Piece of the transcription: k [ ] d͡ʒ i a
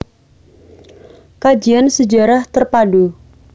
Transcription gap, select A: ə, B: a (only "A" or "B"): B